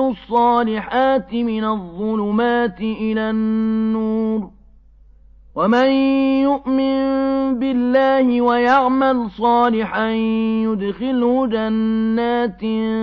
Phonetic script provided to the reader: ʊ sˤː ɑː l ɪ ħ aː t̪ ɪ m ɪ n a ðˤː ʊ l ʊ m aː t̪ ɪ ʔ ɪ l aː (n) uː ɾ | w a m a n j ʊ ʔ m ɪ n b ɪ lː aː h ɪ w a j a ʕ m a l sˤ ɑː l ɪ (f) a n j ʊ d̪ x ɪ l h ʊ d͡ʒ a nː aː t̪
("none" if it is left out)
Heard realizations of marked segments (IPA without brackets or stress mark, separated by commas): nː, ħ